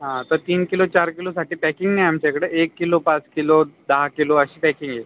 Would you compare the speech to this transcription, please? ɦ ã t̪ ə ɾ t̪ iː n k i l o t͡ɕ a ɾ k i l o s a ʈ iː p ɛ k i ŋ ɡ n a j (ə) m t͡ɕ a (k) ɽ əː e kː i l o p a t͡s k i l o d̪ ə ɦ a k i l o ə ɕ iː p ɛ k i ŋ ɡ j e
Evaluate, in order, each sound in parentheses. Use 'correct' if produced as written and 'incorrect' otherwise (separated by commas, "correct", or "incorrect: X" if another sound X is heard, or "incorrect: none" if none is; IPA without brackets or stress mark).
incorrect: a, correct